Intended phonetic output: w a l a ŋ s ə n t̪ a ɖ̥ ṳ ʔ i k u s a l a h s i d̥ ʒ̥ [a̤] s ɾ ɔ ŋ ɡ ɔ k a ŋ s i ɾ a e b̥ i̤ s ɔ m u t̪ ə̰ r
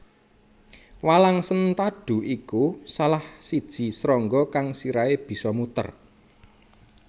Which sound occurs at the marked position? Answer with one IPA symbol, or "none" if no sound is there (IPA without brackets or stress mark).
i̤